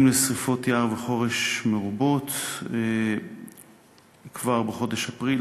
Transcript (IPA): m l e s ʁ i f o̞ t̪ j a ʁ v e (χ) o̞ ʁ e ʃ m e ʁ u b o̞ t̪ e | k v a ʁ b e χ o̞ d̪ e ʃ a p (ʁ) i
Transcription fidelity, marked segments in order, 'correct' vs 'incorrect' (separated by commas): correct, correct